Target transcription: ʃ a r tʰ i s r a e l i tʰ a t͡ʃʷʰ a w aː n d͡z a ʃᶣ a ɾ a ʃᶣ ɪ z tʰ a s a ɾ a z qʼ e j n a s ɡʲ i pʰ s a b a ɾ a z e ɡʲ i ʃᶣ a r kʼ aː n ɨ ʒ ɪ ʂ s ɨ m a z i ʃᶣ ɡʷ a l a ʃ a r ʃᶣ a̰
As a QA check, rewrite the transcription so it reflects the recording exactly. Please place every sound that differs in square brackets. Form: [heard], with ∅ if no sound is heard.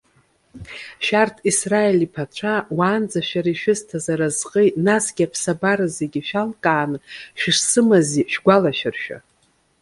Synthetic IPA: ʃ a r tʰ i s r a e l i [pʰ] a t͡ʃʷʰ a w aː n d͡z a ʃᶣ a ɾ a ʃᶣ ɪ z tʰ a [z] a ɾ a z qʼ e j n a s ɡʲ [a] pʰ s a b a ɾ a z e ɡʲ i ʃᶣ a [l] kʼ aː n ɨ [ʃ] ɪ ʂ s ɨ m a z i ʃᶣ ɡʷ a l a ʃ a r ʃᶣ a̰